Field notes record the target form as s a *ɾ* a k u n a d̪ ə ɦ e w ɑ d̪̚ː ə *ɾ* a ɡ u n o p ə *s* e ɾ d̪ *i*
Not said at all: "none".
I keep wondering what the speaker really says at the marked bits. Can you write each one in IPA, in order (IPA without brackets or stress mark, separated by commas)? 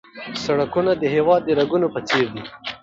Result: ɽ, ɾ, t͡s, i